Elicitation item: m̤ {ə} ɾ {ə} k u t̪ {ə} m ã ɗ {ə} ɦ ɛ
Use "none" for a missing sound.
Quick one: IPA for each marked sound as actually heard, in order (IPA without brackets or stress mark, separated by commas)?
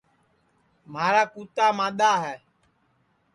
a, a, a, a